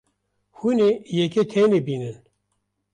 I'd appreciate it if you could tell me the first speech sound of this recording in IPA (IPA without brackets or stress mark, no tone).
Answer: h